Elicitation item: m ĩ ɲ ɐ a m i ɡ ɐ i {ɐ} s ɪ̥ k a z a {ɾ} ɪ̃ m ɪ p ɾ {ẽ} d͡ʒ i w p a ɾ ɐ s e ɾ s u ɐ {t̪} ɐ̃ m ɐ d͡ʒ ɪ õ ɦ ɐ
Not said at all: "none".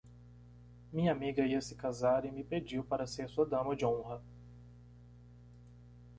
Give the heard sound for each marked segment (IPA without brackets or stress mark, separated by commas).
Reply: ɐ, ɾ, e, d̪